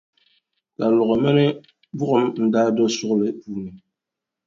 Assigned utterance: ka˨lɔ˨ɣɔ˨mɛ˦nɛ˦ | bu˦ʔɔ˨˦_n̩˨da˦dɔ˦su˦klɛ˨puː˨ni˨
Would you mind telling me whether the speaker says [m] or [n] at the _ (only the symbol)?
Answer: m